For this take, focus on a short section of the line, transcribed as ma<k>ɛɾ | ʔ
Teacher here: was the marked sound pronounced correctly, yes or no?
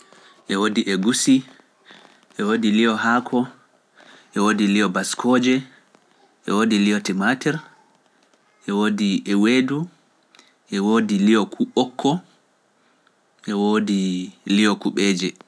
no